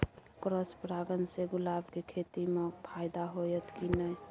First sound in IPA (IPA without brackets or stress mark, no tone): k